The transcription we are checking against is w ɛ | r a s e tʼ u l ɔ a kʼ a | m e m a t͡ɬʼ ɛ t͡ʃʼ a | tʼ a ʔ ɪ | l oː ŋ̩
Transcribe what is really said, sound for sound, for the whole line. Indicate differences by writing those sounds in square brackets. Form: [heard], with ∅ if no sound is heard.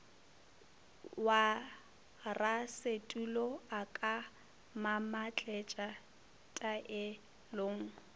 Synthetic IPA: w [a] | r a s e tʼ u l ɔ a kʼ a | m [a] m a t͡ɬʼ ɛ t͡ʃʼ a | tʼ a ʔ ɪ | l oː ŋ̩